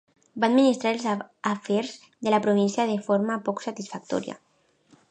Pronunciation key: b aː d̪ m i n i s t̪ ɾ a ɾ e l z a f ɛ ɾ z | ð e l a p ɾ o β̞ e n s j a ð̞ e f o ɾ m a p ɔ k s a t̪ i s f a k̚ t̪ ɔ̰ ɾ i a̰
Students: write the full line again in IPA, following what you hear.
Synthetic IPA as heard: b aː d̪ m i n i s t̪ ɾ a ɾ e l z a f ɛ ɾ z | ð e l a p ɾ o β̞ i n s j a ð̞ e f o ɾ m a p ɔ k s a t̪ i s f a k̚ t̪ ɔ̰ ɾ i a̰

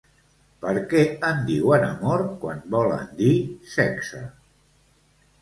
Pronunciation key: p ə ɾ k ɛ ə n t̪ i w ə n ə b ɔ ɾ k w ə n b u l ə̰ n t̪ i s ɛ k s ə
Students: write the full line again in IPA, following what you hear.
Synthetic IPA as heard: p ə ɾ k ɛ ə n d̪ i w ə n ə m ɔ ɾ k w a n b ɔ l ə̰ n d̪ i s ɛ k s ə

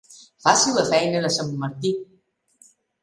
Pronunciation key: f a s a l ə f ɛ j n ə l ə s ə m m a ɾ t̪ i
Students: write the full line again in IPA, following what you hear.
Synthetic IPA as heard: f a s i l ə f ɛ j n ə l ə s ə m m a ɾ t̪ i

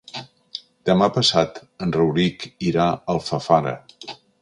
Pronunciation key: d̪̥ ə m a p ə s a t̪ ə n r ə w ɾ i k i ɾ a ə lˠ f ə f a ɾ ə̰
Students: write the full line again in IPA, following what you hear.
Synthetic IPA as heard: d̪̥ ə m a p ə s a t̪ ə n r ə w ɾ i k i ɾ a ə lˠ f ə f a ɾ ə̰

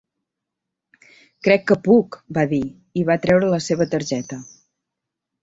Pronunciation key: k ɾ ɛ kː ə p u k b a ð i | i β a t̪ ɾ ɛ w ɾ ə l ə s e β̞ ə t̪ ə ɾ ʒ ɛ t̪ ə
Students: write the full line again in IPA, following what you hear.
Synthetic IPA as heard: k ɾ ɛ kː ə p u k b a ð i | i β a t̪ ɾ ɛ w ɾ ə l ə s e β̞ ə t̪ ə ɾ ʒ ɛ t̪ ə

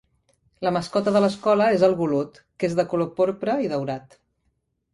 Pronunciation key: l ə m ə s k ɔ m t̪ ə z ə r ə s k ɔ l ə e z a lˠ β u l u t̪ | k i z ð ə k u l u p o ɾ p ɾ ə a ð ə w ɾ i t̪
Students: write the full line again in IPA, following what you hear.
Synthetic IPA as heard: l ə m ə s k ɔ t̪ ə ð ə l ə s k ɔ l ə e z ə lˠ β u l u t̪ | k e z ð ə k u l o p o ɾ p ɾ ə i ð ə w ɾ a t̪

